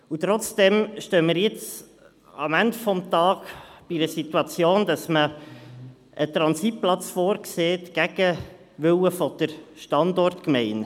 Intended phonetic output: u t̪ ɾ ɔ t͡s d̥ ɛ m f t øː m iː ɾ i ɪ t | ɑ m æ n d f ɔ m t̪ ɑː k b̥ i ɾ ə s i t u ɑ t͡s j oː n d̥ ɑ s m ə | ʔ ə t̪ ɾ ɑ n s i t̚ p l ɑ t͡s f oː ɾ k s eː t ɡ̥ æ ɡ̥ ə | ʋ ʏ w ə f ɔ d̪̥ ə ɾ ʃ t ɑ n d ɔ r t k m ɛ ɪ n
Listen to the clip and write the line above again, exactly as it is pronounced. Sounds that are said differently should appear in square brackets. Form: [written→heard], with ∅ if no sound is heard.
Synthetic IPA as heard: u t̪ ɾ ɔ t͡s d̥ ɛ m [f→ʃ] t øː m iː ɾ [i→j] ɪ [t→t͡s] | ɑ m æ n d f ɔ m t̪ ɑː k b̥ i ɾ ə s i t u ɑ t͡s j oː n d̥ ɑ s m ə | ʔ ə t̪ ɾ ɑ n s i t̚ p l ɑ t͡s f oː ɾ k s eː t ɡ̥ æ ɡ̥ ə | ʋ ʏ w ə f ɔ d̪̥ ə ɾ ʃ t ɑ n d ɔ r t k m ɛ ɪ n

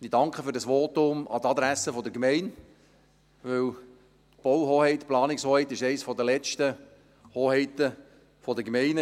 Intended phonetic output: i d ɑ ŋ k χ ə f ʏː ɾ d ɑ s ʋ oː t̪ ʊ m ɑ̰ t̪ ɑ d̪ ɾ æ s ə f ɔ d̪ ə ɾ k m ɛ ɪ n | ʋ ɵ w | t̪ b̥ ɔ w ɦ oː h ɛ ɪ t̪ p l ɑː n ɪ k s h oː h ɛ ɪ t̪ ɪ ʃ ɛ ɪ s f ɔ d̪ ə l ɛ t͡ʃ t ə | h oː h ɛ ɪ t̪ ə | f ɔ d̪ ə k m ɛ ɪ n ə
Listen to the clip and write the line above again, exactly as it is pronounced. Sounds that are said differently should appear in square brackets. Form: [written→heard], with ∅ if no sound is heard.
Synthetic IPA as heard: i d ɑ ŋ k χ ə f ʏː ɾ d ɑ s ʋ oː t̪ ʊ m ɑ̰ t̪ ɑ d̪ ɾ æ s ə f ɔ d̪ ə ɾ k m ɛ ɪ n | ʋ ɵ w | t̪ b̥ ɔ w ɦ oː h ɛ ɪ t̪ p l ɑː n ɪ k s h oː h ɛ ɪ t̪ ɪ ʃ ɛ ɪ s f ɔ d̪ ə l ɛ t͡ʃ t ə | h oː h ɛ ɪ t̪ ə | f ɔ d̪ ə k m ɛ ɪ n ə

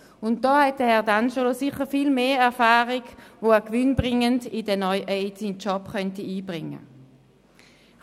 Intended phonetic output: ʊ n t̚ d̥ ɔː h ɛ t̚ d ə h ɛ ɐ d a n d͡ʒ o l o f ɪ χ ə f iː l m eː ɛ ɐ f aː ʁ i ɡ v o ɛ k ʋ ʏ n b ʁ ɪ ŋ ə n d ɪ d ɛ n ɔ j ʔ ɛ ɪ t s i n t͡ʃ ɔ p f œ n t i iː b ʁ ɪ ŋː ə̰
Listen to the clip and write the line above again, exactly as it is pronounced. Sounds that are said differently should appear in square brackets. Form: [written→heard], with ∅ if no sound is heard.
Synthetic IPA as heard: ʊ n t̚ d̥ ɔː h ɛ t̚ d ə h ɛ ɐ d a n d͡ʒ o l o [f→s] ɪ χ ə f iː l m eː ɛ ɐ f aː ʁ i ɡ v o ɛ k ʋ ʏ n b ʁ ɪ ŋ ə n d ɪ d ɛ n ɔ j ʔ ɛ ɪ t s i n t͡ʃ ɔ p [f→χ] œ n t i iː b ʁ ɪ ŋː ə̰

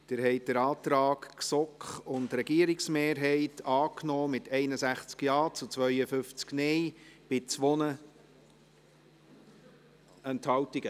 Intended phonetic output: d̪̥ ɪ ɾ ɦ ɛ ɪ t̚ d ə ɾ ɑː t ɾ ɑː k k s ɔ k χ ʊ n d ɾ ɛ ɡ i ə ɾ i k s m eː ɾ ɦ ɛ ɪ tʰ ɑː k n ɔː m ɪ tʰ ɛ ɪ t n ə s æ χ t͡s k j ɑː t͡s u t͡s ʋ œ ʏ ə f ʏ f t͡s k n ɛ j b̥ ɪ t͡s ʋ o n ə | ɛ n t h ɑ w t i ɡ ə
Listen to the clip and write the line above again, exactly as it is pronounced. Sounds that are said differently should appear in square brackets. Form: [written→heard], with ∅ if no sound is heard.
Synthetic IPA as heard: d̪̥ ɪ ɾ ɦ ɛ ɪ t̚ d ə ɾ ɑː t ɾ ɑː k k s ɔ k χ ʊ n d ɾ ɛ ɡ i ə ɾ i k s m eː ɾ ɦ ɛ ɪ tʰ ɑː k n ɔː m ɪ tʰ ɛ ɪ [t→∅] n ə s æ χ t͡s k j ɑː t͡s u t͡s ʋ œ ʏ ə f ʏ f t͡s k n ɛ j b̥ ɪ t͡s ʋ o n ə | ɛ n t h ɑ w t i ɡ ə

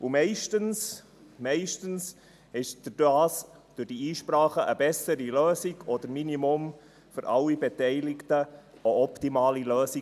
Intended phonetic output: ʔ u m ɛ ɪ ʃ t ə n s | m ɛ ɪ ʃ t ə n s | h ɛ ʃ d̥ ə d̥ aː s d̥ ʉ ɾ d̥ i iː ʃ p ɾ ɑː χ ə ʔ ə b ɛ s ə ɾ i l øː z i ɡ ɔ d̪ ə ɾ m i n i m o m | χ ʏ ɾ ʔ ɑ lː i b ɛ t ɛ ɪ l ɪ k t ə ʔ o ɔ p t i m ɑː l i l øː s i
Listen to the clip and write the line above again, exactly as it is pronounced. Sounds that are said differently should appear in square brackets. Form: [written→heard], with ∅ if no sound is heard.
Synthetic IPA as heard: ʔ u m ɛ ɪ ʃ t ə n s | m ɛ ɪ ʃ t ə n s | h ɛ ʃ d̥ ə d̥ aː s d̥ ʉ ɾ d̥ i iː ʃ p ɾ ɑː χ ə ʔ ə b ɛ s ə ɾ i l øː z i ɡ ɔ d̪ ə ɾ m i n i m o m | [χ→f] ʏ ɾ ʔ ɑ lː i b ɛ t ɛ ɪ l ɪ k t ə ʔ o ɔ p t i m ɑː l i l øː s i

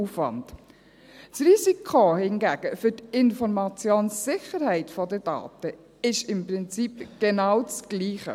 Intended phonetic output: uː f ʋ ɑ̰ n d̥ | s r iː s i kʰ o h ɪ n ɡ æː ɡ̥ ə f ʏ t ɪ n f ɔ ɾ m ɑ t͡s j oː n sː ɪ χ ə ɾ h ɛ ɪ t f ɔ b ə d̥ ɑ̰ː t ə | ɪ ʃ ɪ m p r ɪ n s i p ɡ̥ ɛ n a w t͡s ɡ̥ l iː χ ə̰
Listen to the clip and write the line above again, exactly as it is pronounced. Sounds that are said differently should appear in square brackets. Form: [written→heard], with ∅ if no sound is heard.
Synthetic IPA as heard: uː f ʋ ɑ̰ n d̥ | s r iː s i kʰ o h ɪ n ɡ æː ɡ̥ ə f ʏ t ɪ n f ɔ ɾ m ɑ t͡s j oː n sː ɪ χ ə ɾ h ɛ ɪ t f ɔ [b→d] ə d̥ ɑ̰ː t ə | ɪ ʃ ɪ m p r ɪ n [s→t͡s] i p ɡ̥ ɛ n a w t͡s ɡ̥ l iː χ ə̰

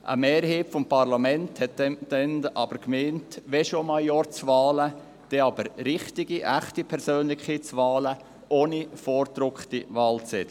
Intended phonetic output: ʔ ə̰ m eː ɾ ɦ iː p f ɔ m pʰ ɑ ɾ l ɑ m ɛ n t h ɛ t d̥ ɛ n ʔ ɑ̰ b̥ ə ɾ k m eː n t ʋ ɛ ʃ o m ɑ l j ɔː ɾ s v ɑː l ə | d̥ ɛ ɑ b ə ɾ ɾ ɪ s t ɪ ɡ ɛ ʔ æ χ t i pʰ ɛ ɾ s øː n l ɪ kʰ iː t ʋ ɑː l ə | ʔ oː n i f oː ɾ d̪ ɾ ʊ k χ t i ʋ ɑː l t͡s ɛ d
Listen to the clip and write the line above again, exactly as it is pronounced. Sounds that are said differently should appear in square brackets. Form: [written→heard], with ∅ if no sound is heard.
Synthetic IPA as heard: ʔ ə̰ m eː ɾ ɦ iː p f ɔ m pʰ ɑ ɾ l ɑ m ɛ n t h ɛ t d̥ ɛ n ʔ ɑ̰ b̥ ə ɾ k m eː n t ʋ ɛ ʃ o m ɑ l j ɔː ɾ [s→t͡s] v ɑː l ə | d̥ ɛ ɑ b ə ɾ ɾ ɪ [s→χ] t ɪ ɡ [ɛ→i] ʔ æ χ t i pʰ ɛ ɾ s øː n l ɪ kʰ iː [t→t͡s] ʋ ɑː l ə | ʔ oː n i f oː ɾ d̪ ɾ ʊ k χ t i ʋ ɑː l t͡s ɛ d

